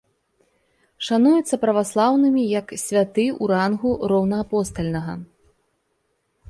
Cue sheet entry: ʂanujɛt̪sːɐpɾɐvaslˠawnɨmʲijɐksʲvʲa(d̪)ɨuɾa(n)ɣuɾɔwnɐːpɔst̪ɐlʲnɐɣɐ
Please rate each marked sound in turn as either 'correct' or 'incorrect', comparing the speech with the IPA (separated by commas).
incorrect, correct